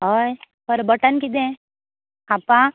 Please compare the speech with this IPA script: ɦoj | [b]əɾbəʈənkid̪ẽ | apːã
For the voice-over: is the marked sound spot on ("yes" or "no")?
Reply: no